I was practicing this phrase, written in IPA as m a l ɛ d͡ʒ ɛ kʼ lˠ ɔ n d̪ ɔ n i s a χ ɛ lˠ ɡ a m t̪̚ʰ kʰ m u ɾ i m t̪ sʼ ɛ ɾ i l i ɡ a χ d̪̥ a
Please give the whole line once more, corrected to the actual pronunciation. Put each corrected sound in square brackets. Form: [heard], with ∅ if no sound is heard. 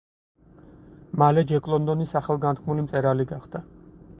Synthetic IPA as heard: m a l ɛ d͡ʒ ɛ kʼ lˠ ɔ n d̪ ɔ n i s a χ ɛ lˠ ɡ a [n] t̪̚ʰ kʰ m u [l] i m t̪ sʼ ɛ ɾ [a] l i ɡ a χ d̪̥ a